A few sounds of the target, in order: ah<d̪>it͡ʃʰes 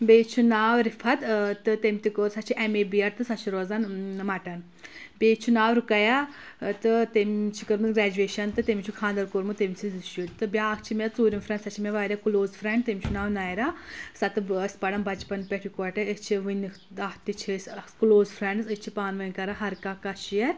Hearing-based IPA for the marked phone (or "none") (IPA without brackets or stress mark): t̪